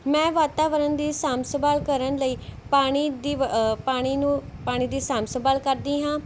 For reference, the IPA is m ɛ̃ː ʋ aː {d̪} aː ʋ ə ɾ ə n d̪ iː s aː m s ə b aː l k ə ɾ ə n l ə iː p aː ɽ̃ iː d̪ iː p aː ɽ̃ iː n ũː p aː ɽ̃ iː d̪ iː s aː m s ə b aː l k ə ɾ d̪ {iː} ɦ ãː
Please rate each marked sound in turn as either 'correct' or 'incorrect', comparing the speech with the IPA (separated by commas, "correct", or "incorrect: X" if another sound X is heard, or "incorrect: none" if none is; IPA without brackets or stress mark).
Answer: incorrect: t̪, correct